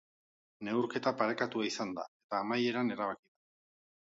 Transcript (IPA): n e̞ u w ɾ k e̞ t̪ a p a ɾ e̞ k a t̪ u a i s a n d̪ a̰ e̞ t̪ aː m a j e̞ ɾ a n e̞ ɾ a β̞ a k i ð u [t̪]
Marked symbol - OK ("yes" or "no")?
no